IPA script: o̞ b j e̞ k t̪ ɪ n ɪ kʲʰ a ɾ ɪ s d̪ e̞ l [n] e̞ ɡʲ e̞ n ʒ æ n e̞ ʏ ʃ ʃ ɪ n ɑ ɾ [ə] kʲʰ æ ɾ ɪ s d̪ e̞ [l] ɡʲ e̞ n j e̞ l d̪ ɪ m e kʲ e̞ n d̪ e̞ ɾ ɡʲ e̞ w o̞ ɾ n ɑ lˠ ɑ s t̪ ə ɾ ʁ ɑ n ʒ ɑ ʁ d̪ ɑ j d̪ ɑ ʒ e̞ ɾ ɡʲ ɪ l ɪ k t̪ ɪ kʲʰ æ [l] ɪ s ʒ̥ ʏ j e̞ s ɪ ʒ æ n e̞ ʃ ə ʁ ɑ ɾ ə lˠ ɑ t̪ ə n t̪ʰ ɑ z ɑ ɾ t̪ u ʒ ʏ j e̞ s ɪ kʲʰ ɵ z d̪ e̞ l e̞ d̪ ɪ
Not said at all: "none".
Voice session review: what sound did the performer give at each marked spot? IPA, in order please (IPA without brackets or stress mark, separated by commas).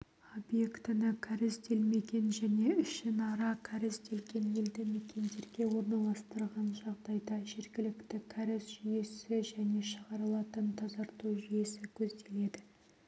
m, ɑ, l, ɾ